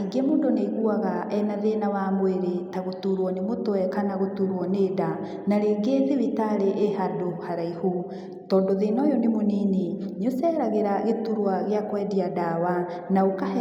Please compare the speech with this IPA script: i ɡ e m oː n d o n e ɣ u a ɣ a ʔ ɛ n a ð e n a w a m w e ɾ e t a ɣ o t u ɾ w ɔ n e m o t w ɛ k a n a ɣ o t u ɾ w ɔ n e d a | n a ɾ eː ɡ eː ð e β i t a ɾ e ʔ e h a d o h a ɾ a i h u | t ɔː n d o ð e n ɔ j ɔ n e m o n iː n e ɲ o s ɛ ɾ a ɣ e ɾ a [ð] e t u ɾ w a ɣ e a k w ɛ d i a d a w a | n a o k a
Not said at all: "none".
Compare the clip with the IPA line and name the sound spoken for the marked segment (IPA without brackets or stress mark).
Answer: ɣ